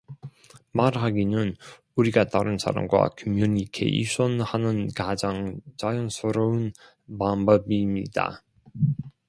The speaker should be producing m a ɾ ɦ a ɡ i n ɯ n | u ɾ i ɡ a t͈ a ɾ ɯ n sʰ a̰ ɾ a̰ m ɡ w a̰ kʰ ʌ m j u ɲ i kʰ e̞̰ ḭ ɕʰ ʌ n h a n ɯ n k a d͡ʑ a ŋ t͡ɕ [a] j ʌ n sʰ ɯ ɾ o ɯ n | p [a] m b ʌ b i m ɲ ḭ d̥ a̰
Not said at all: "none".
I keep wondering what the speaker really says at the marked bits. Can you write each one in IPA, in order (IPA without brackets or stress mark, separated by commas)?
a, a